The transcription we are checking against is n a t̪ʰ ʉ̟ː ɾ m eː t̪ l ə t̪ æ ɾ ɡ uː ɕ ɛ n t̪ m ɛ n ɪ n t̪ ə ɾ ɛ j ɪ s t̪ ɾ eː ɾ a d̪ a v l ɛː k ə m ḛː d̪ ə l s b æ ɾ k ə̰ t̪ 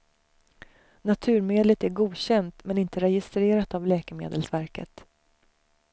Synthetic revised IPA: n a t̪ʰ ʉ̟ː ɾ m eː d̪ l ə t̪ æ ɾ ɡ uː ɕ ɛ n t̪ m ɛ n ɪ n t̪ ə ɾ ɛ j ɪ s t̪ ɾ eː ɾ a t̪ a v l ɛː k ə m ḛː d̪ ə l s v æ ɾ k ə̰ t̪